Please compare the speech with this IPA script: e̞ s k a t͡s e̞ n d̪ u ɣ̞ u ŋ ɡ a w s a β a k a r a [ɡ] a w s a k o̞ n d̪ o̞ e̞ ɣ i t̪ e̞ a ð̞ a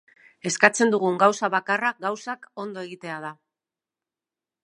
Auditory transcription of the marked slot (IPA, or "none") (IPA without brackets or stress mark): ɡ